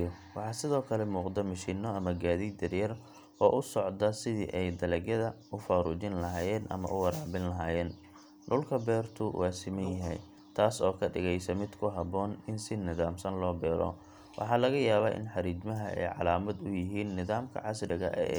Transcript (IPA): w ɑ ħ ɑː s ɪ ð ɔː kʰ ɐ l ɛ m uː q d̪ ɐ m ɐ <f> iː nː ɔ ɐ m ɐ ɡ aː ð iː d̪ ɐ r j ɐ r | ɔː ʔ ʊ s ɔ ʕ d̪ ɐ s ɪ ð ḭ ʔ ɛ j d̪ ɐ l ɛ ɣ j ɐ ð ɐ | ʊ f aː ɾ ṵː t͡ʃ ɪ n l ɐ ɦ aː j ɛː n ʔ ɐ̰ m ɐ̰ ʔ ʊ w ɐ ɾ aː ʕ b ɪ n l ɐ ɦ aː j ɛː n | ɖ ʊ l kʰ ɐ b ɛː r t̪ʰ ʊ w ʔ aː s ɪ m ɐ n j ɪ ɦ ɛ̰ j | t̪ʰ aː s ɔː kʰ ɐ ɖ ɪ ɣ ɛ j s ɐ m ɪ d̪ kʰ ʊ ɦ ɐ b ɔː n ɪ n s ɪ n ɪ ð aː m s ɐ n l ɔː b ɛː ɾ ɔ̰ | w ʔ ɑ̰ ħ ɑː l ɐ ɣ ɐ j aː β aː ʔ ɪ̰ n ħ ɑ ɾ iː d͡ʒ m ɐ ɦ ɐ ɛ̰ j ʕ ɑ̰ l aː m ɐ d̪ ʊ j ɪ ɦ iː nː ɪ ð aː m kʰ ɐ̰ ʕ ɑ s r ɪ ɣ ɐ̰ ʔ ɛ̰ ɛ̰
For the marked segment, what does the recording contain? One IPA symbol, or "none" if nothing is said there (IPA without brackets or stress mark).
ʃ